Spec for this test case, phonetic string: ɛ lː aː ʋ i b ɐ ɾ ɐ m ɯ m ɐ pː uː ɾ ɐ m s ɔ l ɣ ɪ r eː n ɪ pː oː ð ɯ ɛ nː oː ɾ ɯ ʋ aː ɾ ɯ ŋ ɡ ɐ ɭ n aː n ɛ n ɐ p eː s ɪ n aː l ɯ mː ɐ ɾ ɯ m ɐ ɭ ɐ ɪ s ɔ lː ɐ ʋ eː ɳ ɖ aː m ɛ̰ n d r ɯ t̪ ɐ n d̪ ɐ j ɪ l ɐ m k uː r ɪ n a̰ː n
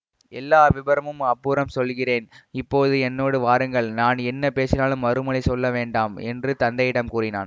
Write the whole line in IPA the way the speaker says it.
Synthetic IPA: ɛ lː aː ʋ ɪ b ɐ ɾ ɐ m ɯ m ɐ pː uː ɾ ɐ m s ɔ l ɣ ɪ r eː n ɪ pː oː ð ɯ ɛ nː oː ɽ ɯ ʋ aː ɾ ɯ ŋ ɡ ɐ ɭ n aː n ɛ nː ɐ p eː s ɪ n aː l ɯ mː ɐ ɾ ɯ m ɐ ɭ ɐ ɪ s ɔ lː ɐ ʋ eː ɳ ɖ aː m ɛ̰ n d r ɯ t̪ ɐ n d̪ ɐ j ɪ ɽ ɐ m k uː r ɪ n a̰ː n